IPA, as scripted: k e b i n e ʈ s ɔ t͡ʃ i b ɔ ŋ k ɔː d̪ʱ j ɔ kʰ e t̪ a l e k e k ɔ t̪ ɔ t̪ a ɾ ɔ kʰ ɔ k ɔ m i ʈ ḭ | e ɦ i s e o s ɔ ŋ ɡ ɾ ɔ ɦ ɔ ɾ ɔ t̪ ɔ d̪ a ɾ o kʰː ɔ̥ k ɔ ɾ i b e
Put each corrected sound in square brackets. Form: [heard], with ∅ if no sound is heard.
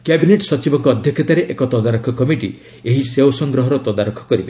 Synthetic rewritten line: k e b i n e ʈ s ɔ t͡ʃ i b ɔ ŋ k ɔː d̪ʱ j ɔ kʰ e t̪ a [ɾ] e [ʔ] e k ɔ t̪ ɔ [d̪] a ɾ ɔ kʰ ɔ k ɔ m i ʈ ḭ | e ɦ i s e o s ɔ ŋ ɡ ɾ ɔ ɦ ɔ ɾ ɔ t̪ ɔ d̪ a ɾ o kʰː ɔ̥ k ɔ ɾ i b e